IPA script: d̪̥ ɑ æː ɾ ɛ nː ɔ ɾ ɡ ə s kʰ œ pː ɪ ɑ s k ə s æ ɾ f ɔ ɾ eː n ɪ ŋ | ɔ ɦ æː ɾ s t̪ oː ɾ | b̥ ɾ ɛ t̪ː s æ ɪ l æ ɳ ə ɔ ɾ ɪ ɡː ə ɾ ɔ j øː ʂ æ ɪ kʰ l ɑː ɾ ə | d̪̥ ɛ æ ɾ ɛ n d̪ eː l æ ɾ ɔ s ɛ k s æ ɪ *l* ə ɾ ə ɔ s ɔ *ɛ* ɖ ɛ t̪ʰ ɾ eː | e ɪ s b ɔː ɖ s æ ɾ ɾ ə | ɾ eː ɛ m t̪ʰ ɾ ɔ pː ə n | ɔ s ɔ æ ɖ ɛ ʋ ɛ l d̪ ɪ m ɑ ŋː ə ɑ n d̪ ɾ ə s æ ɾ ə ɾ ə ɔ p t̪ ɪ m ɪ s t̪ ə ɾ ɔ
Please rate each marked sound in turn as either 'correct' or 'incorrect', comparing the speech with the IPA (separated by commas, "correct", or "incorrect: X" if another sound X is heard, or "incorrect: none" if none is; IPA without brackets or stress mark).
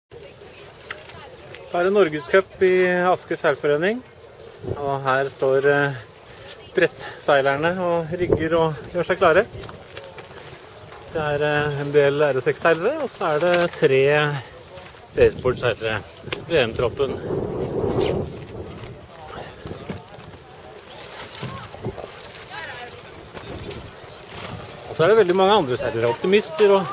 correct, incorrect: æ